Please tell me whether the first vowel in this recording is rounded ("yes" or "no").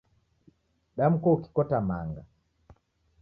no